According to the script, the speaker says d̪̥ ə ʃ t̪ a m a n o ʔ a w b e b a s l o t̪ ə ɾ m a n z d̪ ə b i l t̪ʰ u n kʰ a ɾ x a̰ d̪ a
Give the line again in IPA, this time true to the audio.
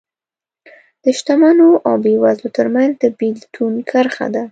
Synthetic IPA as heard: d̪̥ ə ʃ t̪ a m a n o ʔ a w b e w a z l o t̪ ə ɾ m a n z d̪ ə b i l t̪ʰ u n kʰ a ɾ x a̰ d̪ a